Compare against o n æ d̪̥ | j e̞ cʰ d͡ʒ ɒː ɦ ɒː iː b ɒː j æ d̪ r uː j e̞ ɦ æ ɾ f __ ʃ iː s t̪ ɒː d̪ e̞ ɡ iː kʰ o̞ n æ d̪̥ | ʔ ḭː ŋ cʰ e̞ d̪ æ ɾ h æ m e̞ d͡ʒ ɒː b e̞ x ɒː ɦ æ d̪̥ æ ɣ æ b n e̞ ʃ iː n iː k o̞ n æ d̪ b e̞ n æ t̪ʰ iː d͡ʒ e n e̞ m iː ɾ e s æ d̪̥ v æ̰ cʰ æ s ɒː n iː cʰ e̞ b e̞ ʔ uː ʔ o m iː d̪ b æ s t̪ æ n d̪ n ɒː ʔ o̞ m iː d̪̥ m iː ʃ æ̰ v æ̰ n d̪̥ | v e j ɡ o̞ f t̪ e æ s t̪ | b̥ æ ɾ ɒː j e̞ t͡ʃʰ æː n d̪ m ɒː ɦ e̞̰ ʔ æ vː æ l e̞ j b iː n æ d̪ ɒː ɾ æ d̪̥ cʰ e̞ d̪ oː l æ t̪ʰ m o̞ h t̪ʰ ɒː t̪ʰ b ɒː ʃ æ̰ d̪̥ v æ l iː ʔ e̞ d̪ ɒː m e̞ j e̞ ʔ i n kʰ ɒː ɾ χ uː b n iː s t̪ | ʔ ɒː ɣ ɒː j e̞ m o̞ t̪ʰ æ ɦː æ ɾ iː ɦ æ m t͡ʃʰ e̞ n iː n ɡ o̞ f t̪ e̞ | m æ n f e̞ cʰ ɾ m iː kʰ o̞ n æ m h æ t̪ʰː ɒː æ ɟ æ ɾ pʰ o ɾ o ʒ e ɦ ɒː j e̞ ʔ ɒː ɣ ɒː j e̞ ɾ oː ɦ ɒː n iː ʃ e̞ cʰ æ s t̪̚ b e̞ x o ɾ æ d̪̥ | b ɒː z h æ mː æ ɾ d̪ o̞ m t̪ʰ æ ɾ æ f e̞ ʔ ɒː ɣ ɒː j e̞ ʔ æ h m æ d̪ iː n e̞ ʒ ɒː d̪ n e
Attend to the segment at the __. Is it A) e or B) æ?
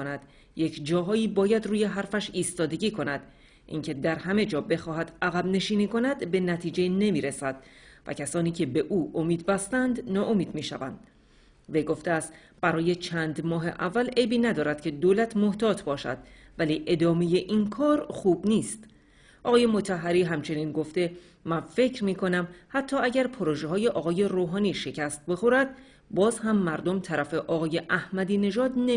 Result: B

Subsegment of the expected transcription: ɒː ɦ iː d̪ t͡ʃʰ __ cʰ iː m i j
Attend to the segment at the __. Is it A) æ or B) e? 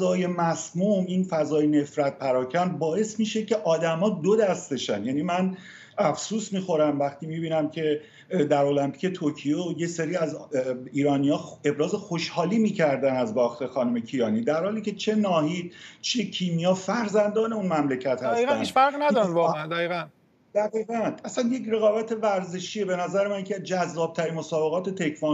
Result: B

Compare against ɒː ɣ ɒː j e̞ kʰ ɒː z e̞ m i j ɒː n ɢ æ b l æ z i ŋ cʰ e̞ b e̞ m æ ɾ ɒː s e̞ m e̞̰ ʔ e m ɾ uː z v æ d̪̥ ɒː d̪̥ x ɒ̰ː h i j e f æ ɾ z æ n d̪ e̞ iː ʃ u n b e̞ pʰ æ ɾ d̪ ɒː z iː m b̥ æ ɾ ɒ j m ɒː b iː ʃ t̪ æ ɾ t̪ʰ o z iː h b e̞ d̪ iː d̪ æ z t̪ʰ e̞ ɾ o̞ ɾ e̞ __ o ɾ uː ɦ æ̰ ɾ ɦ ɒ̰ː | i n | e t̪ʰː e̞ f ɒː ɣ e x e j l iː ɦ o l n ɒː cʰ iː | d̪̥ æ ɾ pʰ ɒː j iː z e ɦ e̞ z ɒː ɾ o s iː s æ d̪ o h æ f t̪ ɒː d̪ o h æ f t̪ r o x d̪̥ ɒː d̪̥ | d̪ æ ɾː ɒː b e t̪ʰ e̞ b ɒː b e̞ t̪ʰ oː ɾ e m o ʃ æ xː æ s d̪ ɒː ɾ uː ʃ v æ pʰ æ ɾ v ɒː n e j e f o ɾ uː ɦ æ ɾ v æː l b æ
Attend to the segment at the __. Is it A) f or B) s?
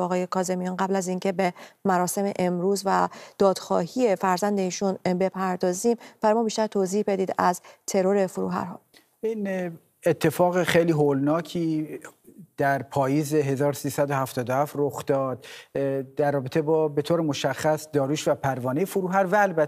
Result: A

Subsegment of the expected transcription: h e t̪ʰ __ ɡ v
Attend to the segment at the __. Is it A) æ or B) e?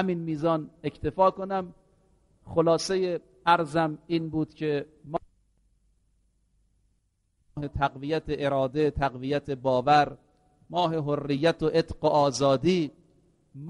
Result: A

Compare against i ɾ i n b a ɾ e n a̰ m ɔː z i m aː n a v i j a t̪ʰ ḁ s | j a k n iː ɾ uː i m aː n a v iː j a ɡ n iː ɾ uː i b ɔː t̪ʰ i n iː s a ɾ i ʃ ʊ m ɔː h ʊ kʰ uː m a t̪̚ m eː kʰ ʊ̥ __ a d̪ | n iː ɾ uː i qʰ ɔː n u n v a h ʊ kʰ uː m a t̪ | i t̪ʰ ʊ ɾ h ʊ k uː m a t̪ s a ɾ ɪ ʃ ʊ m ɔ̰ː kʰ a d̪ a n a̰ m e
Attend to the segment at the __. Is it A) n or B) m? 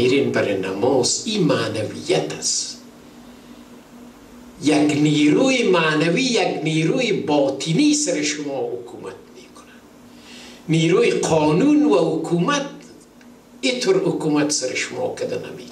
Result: A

